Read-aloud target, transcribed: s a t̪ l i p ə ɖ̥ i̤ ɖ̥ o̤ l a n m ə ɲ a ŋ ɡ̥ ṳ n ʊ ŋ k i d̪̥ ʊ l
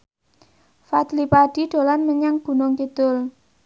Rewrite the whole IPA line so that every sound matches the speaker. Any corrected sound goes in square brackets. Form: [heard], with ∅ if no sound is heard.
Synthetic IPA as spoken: [f] a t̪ l i p [a] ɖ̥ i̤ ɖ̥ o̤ l a n m ə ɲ a ŋ ɡ̥ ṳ n ʊ ŋ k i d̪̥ ʊ l